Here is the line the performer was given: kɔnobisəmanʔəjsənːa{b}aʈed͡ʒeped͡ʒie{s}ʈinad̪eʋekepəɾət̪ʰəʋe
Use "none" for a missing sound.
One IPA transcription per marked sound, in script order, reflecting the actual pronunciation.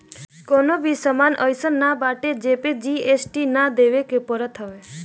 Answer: b, s

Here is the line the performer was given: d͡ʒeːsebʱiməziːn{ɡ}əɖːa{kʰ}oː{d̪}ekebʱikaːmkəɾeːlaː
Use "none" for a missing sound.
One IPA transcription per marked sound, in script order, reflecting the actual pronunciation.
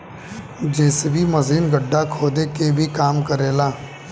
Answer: ɡ, kʰ, d̪

